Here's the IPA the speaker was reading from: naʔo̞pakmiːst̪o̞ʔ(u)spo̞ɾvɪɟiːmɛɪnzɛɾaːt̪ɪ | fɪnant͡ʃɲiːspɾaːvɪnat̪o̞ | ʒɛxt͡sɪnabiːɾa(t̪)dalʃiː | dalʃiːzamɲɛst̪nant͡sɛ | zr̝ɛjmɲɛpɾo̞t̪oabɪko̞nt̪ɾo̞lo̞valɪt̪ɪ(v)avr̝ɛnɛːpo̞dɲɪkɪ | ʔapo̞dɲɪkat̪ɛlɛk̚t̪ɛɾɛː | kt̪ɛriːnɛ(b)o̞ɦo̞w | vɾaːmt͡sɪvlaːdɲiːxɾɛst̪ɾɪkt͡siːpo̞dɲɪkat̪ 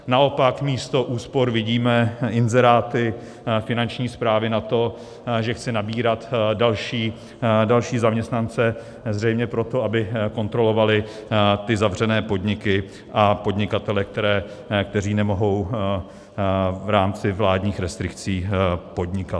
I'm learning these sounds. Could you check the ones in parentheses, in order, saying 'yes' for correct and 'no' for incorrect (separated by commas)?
no, yes, no, no